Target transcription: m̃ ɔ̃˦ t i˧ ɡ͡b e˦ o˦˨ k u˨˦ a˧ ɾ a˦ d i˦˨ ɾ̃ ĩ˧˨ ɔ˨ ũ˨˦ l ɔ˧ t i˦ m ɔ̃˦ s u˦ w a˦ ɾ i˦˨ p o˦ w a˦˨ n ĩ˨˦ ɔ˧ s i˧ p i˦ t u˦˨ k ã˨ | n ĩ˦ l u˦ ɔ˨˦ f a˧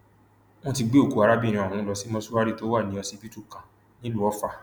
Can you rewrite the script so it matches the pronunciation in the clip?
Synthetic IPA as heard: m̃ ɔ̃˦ t i˧ ɡ͡b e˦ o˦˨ k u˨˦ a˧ ɾ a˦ b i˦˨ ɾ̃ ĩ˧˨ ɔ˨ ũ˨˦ l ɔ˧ s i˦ m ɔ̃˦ s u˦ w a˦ ɾ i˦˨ t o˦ w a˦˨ n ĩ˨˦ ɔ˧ s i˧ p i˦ t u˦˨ k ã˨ | n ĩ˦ l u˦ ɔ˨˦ f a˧

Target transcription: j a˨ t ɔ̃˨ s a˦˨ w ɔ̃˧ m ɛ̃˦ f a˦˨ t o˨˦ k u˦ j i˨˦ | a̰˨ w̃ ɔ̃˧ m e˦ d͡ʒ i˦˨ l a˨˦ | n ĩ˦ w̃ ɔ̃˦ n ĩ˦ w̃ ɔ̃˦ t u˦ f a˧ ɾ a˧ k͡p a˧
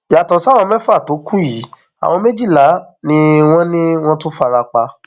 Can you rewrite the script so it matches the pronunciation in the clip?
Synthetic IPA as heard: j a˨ t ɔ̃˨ s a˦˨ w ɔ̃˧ m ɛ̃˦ f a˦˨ t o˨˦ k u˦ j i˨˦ | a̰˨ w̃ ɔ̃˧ m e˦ d͡ʒ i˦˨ l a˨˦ | n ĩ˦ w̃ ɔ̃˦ n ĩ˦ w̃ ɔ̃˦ t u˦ f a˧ ɾ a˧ k͡p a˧

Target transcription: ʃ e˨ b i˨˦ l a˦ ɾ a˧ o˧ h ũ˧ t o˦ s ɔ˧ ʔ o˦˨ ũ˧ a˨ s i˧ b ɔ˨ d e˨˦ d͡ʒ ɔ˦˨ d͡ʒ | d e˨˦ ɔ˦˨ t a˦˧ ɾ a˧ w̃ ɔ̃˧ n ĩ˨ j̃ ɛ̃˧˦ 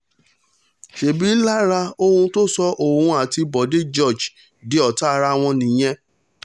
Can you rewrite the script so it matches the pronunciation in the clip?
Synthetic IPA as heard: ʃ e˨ b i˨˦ l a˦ ɾ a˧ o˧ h ũ˧ t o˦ s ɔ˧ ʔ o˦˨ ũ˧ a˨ t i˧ b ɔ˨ d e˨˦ d͡ʒ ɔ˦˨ d͡ʒ | d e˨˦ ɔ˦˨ t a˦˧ ɾ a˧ w̃ ɔ̃˧ n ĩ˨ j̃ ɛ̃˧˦

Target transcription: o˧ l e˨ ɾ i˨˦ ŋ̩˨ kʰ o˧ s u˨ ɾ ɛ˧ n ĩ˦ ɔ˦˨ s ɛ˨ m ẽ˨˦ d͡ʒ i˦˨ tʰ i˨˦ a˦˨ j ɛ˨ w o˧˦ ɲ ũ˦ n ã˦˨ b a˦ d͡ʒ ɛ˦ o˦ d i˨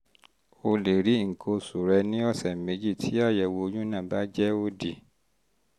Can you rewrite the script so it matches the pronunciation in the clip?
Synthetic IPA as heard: o˧ l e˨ ɾ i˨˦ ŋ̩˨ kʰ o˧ s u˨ ɾ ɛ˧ n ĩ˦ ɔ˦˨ s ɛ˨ m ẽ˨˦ d͡ʒ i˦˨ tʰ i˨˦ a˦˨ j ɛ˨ w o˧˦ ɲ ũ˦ n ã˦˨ b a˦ d͡ʒ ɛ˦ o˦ d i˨

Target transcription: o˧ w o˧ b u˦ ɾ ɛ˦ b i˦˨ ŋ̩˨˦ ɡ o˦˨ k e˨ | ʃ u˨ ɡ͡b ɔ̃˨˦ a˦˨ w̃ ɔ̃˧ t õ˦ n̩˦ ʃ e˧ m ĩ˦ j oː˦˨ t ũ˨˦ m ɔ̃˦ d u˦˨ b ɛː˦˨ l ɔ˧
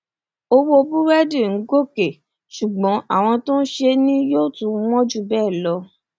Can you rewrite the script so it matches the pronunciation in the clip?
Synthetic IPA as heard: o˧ w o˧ b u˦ ɾ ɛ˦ d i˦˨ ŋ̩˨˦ ɡ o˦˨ k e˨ | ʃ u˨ ɡ͡b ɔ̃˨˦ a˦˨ w̃ ɔ̃˧ t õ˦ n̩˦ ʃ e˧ n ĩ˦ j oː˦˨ t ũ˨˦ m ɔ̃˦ d͡ʒ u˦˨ b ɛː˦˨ l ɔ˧

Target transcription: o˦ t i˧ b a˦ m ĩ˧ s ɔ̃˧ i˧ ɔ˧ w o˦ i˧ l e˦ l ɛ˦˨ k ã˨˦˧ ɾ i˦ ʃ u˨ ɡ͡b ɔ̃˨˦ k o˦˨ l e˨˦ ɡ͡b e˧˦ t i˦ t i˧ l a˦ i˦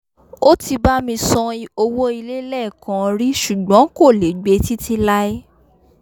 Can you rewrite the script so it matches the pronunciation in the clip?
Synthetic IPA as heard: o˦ t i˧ b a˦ m ĩ˧ s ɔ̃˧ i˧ o˧ w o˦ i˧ l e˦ l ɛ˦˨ k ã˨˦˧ ɾ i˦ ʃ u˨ ɡ͡b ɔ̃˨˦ k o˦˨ l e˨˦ ɡ͡b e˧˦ t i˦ t i˧ l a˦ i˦

